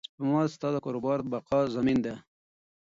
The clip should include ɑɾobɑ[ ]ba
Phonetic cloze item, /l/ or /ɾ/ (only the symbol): ɾ